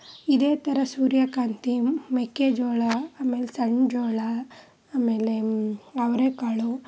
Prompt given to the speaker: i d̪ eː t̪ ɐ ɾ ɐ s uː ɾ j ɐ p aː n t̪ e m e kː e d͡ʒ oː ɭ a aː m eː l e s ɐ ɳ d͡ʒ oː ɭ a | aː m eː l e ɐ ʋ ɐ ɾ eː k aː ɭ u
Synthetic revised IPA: i d̪ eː t̪ ɐ ɾ ɐ s uː ɾ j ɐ k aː n t̪ i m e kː e d͡ʒ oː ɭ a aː m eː l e s ɐ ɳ d͡ʒ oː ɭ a | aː m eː l e ɐ ʋ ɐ ɾ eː k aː ɭ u